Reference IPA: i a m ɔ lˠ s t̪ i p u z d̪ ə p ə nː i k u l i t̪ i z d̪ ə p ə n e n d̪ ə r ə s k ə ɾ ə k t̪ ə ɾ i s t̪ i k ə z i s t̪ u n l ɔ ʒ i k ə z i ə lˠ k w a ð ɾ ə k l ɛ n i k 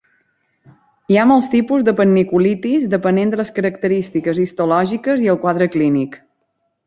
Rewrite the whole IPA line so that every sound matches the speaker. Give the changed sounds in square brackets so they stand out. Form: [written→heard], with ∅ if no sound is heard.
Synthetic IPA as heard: i a m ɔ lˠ s t̪ i p u z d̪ ə p ə nː i k u l i t̪ i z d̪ ə p ə n e n d̪ ə [r→l] ə s k ə ɾ ə k t̪ ə ɾ i s t̪ i k ə z i s t̪ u [n→∅] l ɔ ʒ i k ə z i ə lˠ k w a ð ɾ ə k l [ɛ→i] n i k